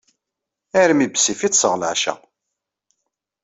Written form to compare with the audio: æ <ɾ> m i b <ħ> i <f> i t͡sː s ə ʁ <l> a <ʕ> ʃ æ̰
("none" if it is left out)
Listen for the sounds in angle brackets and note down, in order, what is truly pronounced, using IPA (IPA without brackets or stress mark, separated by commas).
ɾ, s, f, l, ʕ